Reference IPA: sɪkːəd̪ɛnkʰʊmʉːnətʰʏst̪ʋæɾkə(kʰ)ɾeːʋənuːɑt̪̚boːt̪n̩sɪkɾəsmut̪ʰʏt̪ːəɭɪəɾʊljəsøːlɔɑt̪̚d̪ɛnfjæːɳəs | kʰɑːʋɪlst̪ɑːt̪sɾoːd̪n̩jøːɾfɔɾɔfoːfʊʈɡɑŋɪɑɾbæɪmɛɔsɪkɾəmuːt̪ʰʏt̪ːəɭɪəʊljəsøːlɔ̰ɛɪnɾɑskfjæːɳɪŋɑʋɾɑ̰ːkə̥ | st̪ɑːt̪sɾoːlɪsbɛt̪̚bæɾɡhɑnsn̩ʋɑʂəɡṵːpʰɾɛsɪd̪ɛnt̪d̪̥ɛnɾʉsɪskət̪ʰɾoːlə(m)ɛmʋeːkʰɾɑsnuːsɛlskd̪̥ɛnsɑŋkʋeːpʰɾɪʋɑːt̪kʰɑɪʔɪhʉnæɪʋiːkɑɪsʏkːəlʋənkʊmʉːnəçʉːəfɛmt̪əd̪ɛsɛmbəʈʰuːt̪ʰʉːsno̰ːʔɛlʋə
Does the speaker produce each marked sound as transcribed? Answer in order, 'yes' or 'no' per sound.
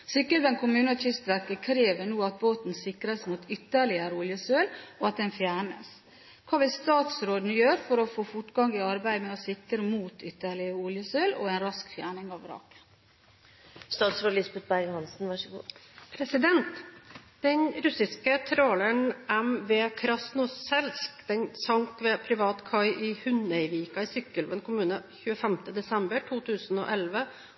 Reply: yes, no

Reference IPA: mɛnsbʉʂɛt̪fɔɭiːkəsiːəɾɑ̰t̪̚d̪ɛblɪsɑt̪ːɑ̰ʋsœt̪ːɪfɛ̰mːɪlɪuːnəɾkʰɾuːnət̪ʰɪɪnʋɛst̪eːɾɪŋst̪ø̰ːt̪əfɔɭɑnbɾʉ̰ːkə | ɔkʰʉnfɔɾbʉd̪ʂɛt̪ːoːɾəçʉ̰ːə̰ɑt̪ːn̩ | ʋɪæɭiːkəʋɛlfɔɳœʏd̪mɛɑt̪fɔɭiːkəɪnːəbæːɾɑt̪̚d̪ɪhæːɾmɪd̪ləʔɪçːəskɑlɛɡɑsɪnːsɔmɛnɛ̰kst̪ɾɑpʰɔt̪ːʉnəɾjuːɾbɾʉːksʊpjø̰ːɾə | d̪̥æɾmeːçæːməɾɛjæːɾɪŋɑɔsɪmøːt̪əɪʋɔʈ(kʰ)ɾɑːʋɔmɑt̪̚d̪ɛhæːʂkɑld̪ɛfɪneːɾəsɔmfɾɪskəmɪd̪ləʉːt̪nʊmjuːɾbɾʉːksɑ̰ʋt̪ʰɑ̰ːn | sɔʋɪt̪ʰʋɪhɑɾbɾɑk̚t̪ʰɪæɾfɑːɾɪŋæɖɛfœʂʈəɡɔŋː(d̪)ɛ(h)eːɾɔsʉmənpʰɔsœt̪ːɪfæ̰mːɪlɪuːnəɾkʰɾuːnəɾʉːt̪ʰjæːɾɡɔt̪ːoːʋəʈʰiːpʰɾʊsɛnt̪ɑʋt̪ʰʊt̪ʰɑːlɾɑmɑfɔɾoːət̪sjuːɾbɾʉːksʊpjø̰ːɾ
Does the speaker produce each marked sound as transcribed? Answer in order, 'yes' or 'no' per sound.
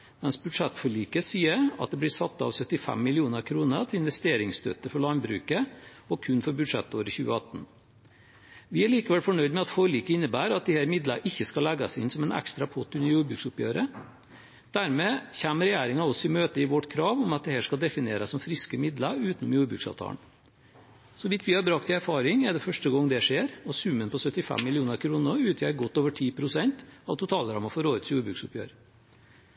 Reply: yes, yes, no

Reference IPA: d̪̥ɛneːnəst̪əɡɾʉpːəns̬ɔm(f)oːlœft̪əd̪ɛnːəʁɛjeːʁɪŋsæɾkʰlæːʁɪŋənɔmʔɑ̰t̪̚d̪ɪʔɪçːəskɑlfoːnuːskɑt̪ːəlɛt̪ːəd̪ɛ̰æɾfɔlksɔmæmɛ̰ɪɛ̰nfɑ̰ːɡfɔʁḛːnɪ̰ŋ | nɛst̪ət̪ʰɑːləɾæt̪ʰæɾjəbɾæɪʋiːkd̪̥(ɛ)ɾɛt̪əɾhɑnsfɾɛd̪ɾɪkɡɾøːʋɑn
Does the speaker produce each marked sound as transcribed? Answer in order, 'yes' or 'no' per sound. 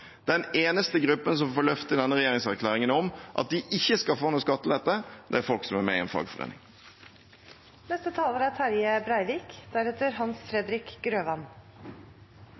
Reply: yes, no

